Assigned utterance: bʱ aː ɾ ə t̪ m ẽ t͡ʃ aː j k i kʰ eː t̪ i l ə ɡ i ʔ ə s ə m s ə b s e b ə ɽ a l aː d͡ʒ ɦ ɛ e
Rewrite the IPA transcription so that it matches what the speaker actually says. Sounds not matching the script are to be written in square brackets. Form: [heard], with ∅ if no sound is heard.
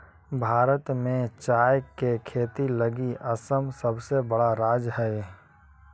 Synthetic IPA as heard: bʱ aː ɾ ə t̪ m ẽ t͡ʃ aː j k [e] kʰ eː t̪ i l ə ɡ i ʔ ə s ə m s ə b s e b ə ɽ a [ɾ] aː d͡ʒ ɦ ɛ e